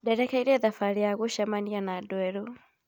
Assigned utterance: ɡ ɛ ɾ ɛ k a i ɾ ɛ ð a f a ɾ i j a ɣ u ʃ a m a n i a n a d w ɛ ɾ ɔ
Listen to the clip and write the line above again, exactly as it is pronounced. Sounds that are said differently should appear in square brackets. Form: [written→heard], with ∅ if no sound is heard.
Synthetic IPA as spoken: [ɡ→d] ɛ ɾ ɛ k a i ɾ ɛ ð a f a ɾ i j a ɣ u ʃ a m a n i a n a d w ɛ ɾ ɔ